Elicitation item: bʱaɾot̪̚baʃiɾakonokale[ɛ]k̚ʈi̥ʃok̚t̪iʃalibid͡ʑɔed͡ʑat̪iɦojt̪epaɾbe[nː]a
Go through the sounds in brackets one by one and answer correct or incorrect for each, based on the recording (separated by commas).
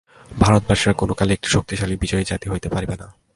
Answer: incorrect, incorrect